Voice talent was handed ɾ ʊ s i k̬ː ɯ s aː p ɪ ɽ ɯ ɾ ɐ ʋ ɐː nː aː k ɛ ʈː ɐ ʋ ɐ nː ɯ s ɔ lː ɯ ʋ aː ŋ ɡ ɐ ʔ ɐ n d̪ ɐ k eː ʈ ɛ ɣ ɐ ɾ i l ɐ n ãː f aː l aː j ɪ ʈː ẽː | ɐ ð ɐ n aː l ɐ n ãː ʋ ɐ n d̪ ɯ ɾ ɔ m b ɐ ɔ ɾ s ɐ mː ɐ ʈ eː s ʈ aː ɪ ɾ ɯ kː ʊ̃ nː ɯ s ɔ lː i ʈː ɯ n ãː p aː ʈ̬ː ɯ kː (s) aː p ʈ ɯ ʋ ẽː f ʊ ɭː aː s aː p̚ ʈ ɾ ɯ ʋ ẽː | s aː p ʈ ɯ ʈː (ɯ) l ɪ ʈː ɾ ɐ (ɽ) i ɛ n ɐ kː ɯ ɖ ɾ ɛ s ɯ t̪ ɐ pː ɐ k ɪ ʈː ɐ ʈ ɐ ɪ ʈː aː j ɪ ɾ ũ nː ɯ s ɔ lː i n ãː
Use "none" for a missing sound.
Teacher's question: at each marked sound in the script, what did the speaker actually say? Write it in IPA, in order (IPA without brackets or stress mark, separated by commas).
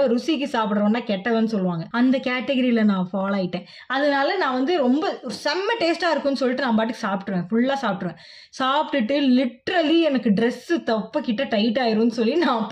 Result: s, ɯ, l